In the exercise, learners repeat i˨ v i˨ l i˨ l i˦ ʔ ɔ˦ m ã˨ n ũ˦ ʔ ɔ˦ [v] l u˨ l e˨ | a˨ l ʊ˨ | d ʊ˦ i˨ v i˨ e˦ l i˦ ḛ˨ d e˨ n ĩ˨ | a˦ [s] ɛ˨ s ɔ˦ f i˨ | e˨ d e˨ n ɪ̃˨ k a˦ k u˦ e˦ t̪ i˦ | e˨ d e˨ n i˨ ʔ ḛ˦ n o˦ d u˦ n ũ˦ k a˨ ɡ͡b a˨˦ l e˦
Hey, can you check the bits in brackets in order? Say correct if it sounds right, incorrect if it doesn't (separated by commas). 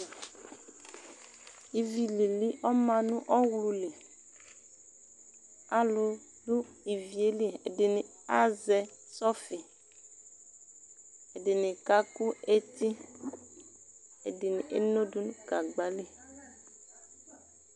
incorrect, incorrect